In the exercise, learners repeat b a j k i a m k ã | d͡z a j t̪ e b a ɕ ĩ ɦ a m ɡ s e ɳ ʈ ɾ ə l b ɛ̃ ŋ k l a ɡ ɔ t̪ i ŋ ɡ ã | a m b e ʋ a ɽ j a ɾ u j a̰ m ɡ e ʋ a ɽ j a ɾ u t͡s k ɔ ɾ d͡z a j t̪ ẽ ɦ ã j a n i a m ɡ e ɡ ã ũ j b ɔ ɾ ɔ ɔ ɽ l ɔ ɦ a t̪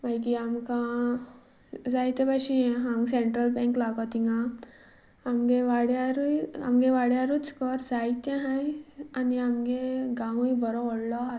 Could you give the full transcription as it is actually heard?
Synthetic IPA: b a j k i a m k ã | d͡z a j t̪ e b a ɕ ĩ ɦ a m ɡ s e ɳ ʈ ɾ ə l b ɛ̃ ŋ k l a ɡ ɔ t̪ i ŋ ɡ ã | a m ɡ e ʋ a ɽ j a ɾ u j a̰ m ɡ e ʋ a ɽ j a ɾ u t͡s k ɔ ɾ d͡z a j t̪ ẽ ɦ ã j a n i a m ɡ e ɡ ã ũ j b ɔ ɾ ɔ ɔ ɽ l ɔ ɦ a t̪